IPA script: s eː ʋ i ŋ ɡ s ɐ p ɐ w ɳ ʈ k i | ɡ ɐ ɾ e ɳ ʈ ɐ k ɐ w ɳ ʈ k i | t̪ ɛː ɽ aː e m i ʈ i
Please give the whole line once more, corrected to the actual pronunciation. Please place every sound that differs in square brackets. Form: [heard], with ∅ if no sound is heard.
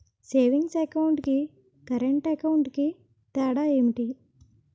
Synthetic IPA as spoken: s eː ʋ i ŋ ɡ s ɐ [k] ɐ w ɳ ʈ k i | [k] ɐ ɾ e ɳ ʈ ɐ k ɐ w ɳ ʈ k i | t̪ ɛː ɽ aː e m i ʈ i